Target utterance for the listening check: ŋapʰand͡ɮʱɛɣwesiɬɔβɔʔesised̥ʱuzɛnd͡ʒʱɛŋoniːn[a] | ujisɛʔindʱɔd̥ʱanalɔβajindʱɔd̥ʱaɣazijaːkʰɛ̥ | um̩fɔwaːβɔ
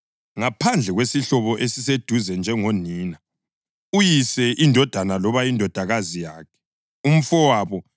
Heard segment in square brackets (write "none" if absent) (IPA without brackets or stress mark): a